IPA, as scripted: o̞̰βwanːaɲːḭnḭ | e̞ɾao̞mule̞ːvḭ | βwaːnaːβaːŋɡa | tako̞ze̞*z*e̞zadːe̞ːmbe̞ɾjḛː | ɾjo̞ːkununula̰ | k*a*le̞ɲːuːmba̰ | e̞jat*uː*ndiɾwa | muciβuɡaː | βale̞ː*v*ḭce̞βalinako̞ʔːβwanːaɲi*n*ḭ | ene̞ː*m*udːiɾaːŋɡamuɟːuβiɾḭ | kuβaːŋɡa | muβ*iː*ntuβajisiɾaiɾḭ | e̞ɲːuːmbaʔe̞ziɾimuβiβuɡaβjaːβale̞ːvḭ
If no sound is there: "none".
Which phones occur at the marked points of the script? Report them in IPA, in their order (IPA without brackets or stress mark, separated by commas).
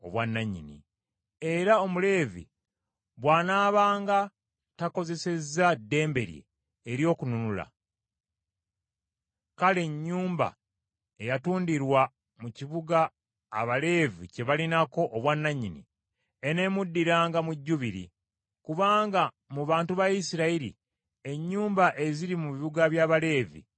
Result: s, a, uː, v, n, m, aː